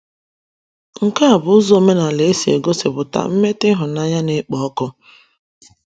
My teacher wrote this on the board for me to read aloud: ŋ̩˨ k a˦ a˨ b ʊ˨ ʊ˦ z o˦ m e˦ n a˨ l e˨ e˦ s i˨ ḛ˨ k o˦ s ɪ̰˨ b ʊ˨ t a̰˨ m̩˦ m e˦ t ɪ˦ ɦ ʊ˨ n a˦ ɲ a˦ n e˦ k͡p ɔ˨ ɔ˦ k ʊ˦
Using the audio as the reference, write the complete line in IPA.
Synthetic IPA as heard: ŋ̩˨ k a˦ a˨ b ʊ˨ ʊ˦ z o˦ m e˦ n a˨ l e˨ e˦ s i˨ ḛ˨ ɡ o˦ s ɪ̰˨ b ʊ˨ t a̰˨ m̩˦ m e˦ t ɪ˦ ɦ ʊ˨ n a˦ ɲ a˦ n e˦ k͡p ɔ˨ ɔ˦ k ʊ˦